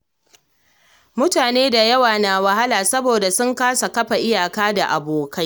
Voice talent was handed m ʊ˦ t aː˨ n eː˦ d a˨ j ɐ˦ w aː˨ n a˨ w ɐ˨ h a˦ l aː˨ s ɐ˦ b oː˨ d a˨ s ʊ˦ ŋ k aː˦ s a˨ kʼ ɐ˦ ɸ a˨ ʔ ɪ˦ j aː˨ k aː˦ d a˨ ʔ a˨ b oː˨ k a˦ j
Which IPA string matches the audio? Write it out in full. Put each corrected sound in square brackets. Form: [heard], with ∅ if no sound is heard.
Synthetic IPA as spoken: m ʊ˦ t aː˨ n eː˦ d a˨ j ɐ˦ w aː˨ n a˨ w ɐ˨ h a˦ l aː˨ s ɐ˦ b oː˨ d a˨ s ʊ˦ ŋ k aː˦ s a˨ [k] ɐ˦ ɸ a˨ ʔ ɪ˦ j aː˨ k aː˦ d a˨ ʔ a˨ b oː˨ k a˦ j

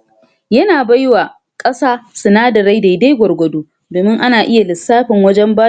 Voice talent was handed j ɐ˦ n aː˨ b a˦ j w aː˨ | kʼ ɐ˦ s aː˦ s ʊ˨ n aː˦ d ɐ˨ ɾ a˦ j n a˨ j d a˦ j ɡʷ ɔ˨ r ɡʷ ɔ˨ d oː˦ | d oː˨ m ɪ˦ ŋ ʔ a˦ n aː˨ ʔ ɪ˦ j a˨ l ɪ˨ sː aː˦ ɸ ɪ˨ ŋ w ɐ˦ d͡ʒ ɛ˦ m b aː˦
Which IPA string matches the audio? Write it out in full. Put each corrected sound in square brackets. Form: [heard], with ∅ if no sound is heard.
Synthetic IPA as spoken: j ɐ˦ n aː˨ b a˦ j w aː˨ | kʼ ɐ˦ s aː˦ s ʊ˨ n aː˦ d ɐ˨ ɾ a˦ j [d] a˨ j d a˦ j ɡʷ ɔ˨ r ɡʷ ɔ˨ d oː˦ | d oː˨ m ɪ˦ ŋ ʔ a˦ n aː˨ ʔ ɪ˦ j a˨ l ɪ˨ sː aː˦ ɸ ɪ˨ ŋ w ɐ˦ d͡ʒ ɛ˦ m b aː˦

